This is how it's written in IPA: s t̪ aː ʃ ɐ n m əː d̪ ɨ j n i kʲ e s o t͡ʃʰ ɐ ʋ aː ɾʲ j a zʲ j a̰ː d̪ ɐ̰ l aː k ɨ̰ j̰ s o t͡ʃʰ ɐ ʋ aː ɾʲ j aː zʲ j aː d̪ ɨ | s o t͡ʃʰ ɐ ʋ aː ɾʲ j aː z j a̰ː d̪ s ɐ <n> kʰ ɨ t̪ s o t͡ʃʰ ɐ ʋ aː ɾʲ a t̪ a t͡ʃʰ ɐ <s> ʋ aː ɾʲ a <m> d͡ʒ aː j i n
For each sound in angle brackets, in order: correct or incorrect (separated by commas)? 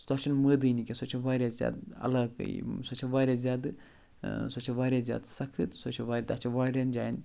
incorrect, incorrect, incorrect